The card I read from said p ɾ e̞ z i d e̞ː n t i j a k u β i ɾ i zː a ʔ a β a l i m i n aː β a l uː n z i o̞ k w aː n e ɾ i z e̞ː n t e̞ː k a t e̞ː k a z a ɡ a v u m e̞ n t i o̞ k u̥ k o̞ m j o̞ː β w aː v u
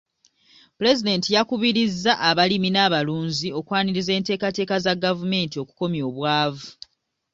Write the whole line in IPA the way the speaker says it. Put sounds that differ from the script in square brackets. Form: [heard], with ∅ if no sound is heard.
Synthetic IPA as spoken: p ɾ e̞ z i d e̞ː n t i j a k u β i ɾ i zː a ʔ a β a l i m i n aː β a l uː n z i o̞ k w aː n [i] ɾ i z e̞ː n t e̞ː k a t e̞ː k a z a ɡ a v u m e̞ n t i o̞ k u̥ k o̞ m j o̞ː β w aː v u

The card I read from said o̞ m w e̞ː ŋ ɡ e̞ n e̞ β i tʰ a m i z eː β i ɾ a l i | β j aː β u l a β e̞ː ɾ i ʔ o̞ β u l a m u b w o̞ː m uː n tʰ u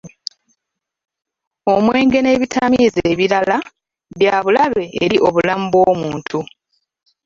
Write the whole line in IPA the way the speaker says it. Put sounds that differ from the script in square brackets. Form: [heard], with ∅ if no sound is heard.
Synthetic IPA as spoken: o̞ m w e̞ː ŋ ɡ e̞ n e̞ β i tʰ a m i z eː β i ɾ a l [a] | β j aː β u l a β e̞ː ɾ i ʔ o̞ β u l a m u b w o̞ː m uː n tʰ u

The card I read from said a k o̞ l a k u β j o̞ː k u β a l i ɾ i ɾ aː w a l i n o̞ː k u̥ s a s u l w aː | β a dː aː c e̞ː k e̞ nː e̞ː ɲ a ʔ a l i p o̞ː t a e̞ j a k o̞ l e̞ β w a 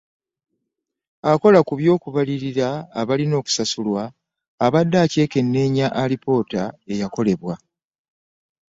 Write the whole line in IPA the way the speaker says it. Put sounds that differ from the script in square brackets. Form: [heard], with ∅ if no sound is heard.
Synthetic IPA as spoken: a k o̞ l a k u β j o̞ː k u β a l i ɾ i ɾ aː [β] a l i n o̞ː k u̥ s a s u l w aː | β a dː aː c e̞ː k e̞ nː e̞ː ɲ a ʔ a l i p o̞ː t a e̞ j a k o̞ l e̞ β w a

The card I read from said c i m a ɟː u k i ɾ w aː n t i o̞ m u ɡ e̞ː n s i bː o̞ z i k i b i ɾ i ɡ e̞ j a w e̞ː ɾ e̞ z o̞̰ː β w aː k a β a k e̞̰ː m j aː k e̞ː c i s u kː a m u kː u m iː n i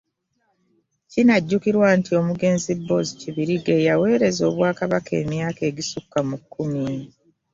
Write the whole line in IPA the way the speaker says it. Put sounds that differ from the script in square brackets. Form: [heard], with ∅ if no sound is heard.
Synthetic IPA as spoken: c i [n] a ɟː u k i ɾ w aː n t i o̞ m u ɡ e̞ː n [z] i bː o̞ z i [c] i [β] i ɾ i ɡ e̞ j a w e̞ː ɾ e̞ z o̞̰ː β w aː k a β a k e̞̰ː m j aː k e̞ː [ɟ] i s u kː a m u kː u m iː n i

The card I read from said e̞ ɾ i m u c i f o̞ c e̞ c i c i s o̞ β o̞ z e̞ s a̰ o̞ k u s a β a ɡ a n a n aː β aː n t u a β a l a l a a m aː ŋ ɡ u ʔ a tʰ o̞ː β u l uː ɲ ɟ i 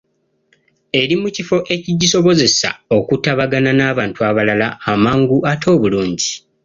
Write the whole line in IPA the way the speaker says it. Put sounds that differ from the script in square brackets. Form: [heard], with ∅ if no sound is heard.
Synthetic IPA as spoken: e̞ ɾ i m u c i f o̞ [ʔ] e̞ c i [ɟ] i s o̞ β o̞ z e̞ s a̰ o̞ k u [t] a β a ɡ a n a n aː β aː n t u a β a l a l a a m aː ŋ ɡ u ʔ a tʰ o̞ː β u l uː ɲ ɟ i

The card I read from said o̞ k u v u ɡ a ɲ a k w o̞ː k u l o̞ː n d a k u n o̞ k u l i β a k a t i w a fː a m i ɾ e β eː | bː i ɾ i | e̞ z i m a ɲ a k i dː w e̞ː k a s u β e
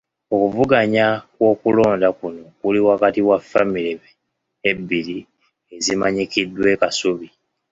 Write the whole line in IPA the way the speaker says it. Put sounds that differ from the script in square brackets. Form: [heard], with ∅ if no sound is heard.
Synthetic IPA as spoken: o̞ k u v u ɡ a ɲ a k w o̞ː k u l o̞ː n d a k u n o̞ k u l i [w] a k a t i w a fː a m i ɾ e β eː | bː i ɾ i | e̞ z i m a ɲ [i] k i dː w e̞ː k a s u β [i]

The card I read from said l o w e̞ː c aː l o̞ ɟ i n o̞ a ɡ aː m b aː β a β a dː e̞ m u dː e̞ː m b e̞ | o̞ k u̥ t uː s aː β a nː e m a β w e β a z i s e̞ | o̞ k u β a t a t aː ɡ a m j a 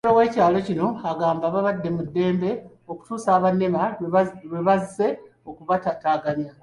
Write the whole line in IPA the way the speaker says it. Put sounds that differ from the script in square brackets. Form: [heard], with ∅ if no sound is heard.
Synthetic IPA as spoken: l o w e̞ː c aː l o̞ [c] i n o̞ a ɡ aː m b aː β a β a dː e̞ m u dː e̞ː m b e̞ | o̞ k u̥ t uː s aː β a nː e m a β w e β a z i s e̞ | o̞ k u β a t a t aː ɡ a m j a

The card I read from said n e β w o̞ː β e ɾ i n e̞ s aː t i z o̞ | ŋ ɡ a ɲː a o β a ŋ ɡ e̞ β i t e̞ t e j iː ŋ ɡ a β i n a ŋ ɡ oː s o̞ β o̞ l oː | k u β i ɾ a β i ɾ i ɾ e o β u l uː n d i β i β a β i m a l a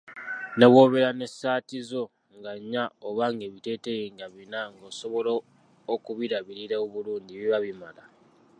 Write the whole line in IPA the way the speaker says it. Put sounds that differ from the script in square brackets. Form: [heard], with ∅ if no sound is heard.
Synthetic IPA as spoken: n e β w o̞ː β e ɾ [a] n e̞ s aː t i z o̞ | ŋ ɡ a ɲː a o β a ŋ ɡ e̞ β i t e̞ t e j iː ŋ ɡ a β i n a ŋ ɡ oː s o̞ β o̞ l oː | k u β i ɾ a β i ɾ i ɾ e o β u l uː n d i β i β a β i m a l a

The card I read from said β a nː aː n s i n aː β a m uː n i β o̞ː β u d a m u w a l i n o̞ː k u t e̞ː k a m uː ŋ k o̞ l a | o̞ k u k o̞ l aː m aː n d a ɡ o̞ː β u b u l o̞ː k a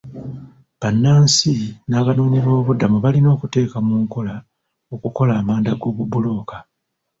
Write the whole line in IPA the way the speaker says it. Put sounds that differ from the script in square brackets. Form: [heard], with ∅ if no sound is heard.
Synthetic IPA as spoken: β a nː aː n s i n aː β a [n] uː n i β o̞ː β u d a m u [β] a l i n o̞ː k u t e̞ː k a m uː ŋ k o̞ l a | o̞ k u k o̞ l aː m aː n d a ɡ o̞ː β u b u l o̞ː k a

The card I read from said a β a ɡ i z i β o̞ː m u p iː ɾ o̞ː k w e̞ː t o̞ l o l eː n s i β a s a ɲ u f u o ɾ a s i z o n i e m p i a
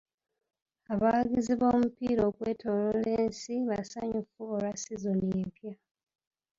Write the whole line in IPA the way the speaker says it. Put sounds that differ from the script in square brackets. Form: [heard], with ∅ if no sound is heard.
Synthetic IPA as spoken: a β a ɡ i z i β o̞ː m u p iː ɾ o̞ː k w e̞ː t o̞ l o l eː n s i β a s a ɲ u f u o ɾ a s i z o n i e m p [j] a

